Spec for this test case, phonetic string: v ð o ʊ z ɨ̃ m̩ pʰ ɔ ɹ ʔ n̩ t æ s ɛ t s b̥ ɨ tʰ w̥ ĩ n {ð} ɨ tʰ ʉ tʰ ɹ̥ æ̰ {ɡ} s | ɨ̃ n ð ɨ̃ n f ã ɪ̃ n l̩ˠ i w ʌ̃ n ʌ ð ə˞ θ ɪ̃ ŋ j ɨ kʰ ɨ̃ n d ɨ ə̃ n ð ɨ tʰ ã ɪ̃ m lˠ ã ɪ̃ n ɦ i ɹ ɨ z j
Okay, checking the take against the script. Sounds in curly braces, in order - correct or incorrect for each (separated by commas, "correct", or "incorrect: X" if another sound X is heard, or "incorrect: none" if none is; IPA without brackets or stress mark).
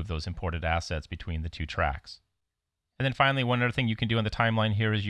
correct, incorrect: k